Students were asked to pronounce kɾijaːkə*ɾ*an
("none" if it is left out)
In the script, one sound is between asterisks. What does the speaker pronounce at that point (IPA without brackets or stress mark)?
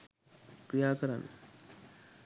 ɾ